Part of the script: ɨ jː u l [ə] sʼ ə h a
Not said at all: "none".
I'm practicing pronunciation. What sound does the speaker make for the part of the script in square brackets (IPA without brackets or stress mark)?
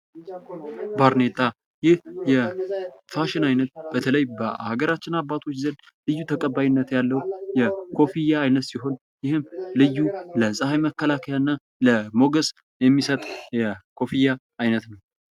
ə